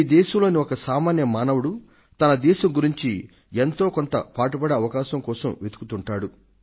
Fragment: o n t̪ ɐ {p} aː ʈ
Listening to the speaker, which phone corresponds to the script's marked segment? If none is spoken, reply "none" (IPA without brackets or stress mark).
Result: p